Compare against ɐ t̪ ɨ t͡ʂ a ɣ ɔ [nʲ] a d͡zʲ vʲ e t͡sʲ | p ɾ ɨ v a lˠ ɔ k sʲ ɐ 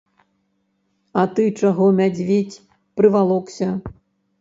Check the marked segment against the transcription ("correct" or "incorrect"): incorrect